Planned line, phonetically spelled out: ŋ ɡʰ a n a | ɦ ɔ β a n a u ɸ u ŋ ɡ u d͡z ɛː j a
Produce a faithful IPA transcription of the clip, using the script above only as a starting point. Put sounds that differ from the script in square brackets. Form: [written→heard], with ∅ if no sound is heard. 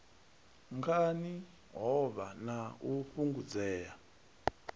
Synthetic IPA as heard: ŋ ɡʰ a n [a→i] | ɦ ɔ β a n a u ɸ u ŋ ɡ u d͡z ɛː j a

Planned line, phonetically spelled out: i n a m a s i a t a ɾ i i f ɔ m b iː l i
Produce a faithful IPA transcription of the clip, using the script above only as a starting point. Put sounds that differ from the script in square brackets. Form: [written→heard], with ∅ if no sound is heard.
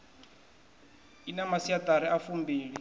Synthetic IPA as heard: i n a m a s i a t a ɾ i [i→a] f [ɔ→u] m b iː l i

